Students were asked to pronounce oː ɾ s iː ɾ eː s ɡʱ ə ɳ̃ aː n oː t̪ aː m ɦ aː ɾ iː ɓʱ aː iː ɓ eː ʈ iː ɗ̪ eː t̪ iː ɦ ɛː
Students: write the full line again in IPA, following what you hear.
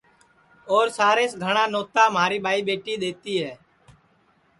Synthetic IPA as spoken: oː ɾ s aː ɾ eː s ɡʱ ə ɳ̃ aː n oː t̪ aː m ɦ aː ɾ iː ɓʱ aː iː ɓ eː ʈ iː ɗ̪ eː t̪ iː ɦ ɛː